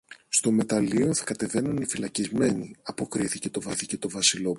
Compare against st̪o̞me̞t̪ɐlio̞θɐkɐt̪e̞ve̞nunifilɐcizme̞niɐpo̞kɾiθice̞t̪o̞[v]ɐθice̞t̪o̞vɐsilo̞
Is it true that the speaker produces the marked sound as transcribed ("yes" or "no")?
yes